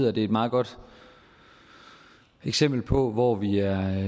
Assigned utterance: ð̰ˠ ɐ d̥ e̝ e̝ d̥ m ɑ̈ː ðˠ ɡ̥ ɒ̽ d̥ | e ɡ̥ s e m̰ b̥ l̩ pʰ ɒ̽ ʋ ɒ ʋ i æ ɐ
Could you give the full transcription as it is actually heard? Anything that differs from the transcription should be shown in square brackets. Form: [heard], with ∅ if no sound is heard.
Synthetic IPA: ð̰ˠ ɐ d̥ e̝ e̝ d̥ m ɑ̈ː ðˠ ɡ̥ ɒ̽ d̥ | e ɡ̥ s e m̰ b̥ l̩ pʰ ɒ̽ ʋ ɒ ʋ i æ ɐ